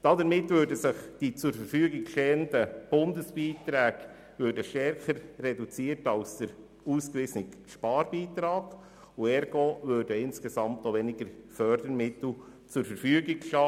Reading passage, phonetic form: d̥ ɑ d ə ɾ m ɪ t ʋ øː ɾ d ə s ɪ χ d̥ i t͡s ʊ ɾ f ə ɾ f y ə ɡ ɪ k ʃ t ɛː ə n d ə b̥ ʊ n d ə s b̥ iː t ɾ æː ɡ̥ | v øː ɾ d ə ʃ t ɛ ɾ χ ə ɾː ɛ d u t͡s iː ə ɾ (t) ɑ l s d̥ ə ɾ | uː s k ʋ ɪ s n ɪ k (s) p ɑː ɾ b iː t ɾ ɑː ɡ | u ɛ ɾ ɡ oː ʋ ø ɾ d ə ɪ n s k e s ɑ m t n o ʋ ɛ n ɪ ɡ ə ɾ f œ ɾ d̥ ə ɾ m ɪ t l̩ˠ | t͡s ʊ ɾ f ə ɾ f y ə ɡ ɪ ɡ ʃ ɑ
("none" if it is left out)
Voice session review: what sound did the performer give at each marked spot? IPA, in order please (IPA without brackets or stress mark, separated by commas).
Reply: t, ʃ